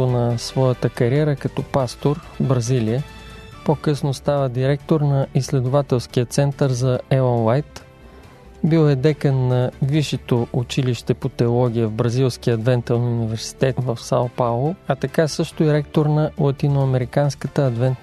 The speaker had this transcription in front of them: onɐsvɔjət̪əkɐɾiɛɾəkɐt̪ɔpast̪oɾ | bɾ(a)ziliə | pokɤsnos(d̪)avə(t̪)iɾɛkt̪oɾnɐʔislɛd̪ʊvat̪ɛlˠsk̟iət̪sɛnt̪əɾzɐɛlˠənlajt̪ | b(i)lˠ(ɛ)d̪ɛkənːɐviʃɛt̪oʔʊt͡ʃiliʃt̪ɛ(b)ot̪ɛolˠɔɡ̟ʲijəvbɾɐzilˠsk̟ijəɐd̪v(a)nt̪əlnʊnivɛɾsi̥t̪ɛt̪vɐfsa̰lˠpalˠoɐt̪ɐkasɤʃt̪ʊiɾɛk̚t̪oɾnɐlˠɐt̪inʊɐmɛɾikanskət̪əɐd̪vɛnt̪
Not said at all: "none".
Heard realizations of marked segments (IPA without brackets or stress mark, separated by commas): ɐ, t̪, d̪, i, ɛ, p, ɛ